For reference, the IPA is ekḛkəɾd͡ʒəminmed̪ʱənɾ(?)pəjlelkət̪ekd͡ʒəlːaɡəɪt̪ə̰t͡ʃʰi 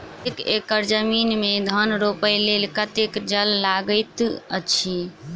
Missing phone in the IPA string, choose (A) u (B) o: B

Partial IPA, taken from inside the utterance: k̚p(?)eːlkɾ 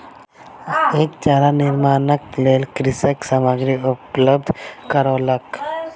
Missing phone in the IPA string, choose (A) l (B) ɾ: A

